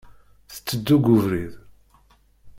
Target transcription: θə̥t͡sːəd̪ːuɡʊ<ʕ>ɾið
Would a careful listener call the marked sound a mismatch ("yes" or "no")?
yes